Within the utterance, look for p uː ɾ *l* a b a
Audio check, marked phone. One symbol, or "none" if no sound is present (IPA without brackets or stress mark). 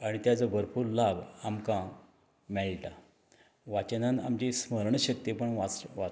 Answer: l